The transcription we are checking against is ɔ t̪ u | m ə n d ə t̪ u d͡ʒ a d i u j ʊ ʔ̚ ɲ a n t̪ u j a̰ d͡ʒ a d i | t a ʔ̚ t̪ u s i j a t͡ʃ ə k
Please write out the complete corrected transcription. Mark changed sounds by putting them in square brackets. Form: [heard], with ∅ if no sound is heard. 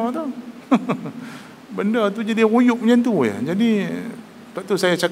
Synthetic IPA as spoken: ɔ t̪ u | [b] ə n d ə t̪ u d͡ʒ a d i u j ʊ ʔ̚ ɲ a n t̪ u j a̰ d͡ʒ a d i | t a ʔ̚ t̪ u s [a] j a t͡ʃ [a] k